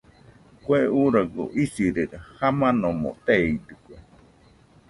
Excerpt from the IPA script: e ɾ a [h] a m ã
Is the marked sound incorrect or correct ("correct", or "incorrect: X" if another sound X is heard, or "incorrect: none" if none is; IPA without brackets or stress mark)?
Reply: correct